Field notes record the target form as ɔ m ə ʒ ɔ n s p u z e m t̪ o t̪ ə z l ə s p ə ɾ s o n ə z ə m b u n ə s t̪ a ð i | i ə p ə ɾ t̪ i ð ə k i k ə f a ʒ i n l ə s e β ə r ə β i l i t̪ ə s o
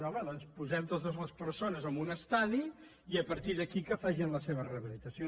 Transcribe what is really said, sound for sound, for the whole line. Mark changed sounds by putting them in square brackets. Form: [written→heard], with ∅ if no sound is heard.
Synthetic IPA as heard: ɔ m ə [ʒ→ð] ɔ n s p u z [e→ɛ] m t̪ o t̪ ə z l ə s p ə ɾ s o n ə z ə m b u n ə s t̪ a ð i | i ə p ə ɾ t̪ i ð ə k i k ə f a ʒ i n l ə s e β ə r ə β i l i t̪ ə s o